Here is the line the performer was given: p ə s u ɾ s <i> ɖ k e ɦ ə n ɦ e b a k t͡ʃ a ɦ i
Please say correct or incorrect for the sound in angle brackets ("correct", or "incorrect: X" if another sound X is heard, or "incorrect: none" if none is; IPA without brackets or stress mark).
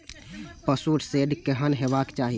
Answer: incorrect: e